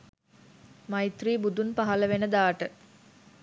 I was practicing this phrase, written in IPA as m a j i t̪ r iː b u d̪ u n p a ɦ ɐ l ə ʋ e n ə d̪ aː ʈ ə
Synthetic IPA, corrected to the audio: m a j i t̪ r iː b u d̪ u n p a ɦ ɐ l ə ʋ e n ə d̪ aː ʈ ə